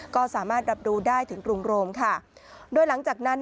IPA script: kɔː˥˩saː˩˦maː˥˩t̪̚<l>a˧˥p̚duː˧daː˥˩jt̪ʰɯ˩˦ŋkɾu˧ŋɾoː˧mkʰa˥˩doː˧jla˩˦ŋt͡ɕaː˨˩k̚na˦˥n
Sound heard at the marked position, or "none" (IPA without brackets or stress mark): ɾ